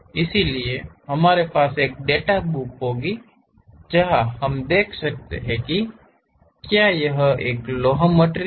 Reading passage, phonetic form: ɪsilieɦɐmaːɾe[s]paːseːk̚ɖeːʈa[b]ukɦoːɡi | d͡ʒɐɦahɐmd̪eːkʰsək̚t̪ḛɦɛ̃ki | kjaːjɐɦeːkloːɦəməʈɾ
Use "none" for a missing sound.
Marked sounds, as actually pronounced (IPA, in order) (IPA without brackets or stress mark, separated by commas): none, b